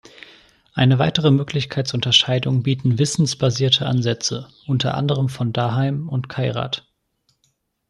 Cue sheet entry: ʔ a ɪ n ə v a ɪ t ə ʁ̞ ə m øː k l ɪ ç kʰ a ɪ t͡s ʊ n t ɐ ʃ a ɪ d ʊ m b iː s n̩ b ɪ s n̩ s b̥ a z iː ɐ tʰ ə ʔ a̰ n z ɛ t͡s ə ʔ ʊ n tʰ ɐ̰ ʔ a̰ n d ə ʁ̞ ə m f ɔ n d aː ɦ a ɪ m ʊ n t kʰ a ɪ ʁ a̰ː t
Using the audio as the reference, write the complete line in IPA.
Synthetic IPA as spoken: ʔ a ɪ n ə v a ɪ t ə ʁ̞ ə m øː k l ɪ ç kʰ a ɪ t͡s ʊ n t ɐ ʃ a ɪ d ʊ ŋ b iː t n̩ v ɪ s n̩ s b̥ a z iː ɐ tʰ ə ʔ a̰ n z ɛ t͡s ə ʔ ʊ n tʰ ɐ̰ ʔ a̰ n d ə ʁ̞ ə m f ɔ n d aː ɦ a ɪ m ʊ n t kʰ a ɪ ʁ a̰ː t